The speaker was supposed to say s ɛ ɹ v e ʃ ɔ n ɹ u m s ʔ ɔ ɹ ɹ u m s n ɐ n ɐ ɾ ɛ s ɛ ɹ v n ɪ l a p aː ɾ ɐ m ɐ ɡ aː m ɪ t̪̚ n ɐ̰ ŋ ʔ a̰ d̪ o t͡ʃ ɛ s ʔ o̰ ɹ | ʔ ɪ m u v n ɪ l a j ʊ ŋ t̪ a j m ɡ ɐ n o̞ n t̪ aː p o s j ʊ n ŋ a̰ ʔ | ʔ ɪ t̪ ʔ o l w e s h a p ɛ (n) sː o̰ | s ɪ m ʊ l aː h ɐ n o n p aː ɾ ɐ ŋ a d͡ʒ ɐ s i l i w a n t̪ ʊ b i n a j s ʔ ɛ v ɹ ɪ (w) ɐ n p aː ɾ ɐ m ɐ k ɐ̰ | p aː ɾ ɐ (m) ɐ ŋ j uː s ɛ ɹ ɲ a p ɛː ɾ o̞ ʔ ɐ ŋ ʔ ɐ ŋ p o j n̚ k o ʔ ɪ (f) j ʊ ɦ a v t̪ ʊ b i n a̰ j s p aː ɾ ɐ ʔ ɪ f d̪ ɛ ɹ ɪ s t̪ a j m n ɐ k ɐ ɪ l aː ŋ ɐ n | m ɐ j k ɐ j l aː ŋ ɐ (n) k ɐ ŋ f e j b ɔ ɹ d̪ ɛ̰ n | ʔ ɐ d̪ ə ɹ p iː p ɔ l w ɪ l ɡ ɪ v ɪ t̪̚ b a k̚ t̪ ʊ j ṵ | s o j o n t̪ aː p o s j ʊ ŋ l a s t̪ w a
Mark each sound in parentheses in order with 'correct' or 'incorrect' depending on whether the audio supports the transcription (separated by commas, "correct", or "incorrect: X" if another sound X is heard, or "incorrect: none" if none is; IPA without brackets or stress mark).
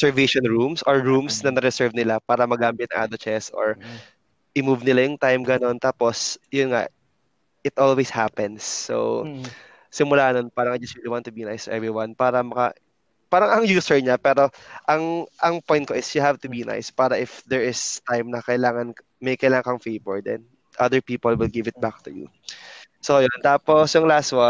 correct, correct, incorrect: ŋ, incorrect: s, incorrect: ŋ